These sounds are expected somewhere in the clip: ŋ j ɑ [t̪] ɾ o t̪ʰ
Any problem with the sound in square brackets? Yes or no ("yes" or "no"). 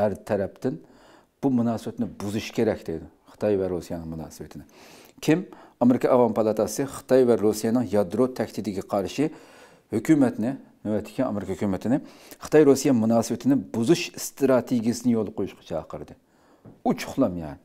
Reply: yes